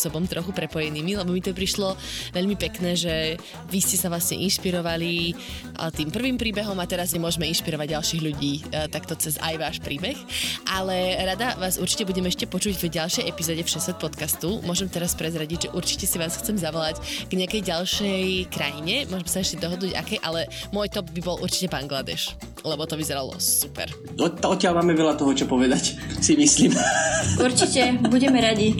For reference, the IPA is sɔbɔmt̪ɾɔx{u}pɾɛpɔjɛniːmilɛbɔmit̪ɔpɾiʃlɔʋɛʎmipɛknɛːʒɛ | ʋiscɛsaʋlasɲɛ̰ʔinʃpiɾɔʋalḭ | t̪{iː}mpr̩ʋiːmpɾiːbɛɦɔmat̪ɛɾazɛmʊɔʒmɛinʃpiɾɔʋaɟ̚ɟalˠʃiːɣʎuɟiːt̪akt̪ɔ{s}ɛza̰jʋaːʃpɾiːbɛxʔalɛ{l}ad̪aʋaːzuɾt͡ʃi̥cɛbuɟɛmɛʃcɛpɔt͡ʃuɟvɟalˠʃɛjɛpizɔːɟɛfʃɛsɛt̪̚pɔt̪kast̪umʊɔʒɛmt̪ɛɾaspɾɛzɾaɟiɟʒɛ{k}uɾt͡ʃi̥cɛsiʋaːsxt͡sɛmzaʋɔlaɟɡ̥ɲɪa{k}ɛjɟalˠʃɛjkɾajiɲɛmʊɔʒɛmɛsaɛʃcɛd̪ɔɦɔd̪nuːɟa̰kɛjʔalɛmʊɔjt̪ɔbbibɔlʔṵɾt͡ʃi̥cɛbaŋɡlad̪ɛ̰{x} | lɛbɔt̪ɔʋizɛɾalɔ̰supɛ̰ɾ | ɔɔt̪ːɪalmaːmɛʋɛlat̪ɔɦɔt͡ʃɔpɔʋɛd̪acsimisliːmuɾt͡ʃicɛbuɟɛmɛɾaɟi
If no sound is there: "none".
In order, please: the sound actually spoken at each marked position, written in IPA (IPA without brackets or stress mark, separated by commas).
u, iː, t͡s, ɾ, ʔ, k, ʃ